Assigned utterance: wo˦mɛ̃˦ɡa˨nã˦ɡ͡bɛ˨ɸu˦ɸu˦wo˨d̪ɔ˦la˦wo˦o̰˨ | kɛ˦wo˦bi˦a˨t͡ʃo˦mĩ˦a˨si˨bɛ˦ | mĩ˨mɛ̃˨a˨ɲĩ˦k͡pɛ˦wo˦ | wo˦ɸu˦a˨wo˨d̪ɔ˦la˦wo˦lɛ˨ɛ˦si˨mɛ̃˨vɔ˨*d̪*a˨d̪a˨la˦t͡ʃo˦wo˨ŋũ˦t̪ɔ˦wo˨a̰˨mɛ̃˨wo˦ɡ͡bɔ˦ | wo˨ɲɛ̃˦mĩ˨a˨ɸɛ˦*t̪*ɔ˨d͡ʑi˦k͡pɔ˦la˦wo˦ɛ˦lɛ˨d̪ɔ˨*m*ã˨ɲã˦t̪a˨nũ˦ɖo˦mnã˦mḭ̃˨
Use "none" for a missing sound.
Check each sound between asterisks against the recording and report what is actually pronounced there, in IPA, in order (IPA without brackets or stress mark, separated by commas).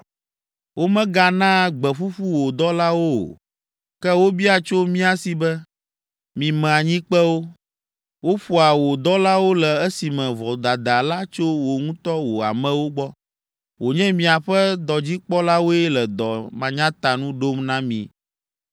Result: d̪, d̪, m